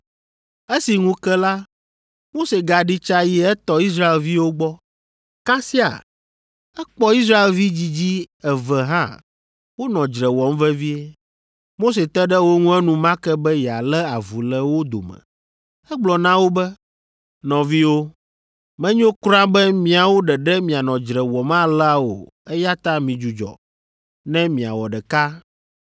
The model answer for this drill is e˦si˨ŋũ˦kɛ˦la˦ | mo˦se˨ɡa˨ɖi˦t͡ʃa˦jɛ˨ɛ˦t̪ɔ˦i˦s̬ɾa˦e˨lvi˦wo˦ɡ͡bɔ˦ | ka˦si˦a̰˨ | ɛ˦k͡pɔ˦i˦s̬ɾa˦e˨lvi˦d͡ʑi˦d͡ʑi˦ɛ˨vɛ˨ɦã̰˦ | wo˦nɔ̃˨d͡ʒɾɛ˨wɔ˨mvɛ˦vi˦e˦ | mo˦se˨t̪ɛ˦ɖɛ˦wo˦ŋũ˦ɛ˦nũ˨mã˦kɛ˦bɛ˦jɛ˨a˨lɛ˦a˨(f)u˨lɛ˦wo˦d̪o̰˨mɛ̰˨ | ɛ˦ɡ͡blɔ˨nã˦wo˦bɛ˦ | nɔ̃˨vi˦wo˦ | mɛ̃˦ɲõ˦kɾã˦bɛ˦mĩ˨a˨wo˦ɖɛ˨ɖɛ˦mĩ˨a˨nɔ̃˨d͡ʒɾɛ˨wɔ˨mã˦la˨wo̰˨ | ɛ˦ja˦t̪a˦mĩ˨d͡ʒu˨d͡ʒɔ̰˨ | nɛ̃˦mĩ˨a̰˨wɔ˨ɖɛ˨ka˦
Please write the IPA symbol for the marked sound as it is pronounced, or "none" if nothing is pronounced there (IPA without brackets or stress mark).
v